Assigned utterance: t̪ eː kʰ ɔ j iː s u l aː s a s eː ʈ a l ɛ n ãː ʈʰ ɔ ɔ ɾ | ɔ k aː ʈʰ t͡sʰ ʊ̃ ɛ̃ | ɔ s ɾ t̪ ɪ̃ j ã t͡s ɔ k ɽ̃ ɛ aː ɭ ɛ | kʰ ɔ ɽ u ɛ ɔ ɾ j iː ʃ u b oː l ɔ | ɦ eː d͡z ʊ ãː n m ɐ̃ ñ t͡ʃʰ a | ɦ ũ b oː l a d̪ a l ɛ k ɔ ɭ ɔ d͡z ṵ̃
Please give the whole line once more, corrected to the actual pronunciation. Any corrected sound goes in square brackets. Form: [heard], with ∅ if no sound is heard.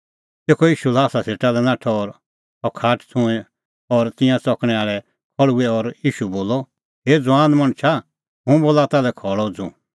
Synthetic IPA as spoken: t̪ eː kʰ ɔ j iː [ʃ] u l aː s a s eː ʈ a l ɛ n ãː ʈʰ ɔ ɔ ɾ | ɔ [kʰ] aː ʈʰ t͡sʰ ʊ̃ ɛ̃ | ɔ [∅] ɾ t̪ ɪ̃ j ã t͡s ɔ k ɽ̃ ɛ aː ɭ ɛ | kʰ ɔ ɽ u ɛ ɔ ɾ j iː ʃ u b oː l ɔ | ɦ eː d͡z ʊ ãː n m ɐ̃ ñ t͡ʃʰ a | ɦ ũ b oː l a [t̪] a l ɛ [kʰ] ɔ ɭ ɔ d͡z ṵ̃